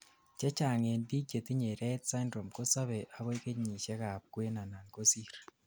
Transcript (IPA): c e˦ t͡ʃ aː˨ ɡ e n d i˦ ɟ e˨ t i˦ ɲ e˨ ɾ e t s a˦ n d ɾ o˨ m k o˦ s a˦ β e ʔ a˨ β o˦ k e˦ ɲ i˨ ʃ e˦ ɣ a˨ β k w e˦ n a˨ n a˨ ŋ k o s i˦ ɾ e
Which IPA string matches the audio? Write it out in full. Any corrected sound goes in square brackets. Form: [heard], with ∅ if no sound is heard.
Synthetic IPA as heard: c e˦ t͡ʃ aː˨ [ŋ] e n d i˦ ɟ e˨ t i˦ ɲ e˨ ɾ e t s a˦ n d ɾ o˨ m k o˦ s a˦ β e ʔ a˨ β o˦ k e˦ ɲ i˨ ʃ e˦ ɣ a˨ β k w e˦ n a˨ n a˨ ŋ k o s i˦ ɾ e